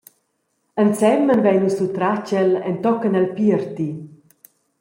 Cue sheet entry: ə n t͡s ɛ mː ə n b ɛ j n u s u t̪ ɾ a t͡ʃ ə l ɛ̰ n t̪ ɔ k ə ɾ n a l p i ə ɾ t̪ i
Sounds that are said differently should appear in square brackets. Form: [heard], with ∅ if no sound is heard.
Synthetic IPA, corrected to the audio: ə n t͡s ɛ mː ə n [v] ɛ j n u s u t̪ ɾ a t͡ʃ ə l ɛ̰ n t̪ ɔ k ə [∅] n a l p i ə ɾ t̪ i